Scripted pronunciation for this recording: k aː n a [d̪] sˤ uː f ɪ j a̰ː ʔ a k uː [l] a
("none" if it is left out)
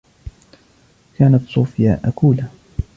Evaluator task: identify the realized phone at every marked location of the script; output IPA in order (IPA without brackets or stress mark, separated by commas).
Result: t̪, l